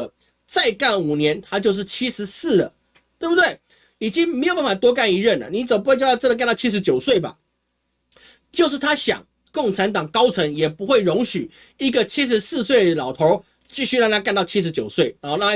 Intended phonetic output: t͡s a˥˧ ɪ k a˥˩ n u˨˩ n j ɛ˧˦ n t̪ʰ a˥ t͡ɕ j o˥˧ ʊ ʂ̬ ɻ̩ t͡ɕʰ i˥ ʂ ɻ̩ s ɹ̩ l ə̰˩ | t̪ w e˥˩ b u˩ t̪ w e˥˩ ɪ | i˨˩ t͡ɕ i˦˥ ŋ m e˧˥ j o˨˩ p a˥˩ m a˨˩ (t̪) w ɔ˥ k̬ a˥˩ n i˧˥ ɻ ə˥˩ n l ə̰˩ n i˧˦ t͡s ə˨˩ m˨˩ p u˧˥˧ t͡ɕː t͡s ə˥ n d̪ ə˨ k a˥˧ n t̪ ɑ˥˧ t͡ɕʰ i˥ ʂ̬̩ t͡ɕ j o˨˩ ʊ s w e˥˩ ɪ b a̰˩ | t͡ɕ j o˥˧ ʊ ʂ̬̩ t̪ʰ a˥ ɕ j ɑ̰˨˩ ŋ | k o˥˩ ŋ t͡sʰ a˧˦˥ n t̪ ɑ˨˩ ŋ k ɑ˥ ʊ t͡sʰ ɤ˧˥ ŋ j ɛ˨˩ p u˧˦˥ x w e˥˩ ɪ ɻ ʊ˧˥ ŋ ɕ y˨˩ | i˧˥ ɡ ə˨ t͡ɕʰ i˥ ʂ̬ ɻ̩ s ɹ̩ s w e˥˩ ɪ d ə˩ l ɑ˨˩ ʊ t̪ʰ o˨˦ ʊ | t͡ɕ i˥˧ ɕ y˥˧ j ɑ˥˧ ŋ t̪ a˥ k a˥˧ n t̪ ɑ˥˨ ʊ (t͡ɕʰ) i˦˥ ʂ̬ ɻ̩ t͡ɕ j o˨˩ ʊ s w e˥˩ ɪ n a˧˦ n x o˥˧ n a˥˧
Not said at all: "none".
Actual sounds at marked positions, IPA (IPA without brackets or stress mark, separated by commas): t̪, t͡ɕʰ